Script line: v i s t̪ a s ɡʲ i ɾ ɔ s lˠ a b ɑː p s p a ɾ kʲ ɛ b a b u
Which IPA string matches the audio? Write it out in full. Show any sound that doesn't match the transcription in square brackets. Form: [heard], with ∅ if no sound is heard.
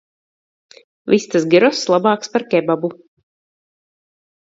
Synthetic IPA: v i s t̪ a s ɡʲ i ɾ ɔ s lˠ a b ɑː [k] s p a ɾ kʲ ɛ b a b u